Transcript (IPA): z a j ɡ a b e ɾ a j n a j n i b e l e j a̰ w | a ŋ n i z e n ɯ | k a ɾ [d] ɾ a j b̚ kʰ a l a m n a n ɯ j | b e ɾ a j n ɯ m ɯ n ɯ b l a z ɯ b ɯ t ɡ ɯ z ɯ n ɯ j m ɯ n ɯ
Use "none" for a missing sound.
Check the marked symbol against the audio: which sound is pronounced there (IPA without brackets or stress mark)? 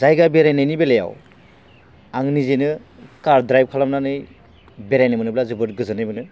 d